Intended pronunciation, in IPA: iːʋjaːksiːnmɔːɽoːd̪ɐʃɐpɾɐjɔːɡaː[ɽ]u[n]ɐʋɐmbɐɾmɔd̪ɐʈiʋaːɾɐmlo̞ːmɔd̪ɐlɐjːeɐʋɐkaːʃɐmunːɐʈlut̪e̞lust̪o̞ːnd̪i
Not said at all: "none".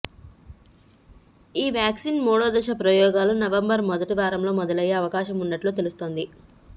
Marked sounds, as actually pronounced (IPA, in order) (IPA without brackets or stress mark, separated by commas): l, n